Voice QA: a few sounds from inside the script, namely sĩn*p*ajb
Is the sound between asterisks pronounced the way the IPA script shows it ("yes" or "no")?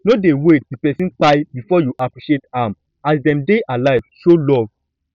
no